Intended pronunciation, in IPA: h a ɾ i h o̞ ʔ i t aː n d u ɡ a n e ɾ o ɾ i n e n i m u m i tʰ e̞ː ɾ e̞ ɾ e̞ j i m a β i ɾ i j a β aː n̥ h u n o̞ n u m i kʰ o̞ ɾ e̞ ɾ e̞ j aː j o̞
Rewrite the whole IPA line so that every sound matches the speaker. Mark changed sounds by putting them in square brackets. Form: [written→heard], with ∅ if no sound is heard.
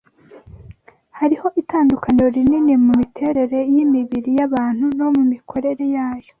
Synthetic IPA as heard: h a ɾ i h o̞ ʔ i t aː n d u [ɡ→k] a n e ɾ o ɾ i n [e→i] n i m u m i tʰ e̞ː ɾ e̞ ɾ e̞ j i m [a→i] β i ɾ i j a β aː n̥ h u n o̞ [n→m] u m i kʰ o̞ ɾ e̞ ɾ e̞ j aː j o̞

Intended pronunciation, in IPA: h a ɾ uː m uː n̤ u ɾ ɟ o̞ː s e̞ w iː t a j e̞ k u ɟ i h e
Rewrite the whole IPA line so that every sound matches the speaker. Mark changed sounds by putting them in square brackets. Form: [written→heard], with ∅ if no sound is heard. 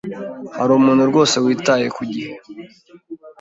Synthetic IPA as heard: h a ɾ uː m uː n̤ u ɾ [ɟ→ɡ] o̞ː s e̞ w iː t a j e̞ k u ɟ i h e

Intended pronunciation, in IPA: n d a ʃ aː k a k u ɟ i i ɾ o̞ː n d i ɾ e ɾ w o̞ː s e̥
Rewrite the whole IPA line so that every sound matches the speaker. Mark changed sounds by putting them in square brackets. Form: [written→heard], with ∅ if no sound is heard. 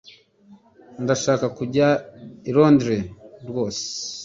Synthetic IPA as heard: n d a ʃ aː k a k u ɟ [i→a] i ɾ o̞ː n d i ɾ e ɾ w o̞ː s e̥

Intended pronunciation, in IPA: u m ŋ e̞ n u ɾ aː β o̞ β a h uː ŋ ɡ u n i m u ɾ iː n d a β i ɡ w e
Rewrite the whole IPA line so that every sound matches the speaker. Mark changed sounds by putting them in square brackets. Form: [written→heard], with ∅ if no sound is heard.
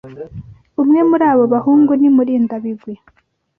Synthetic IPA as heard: u m ŋ e̞ [n→m] u ɾ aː β o̞ β a h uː ŋ ɡ u n i m u ɾ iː n d a β i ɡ w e

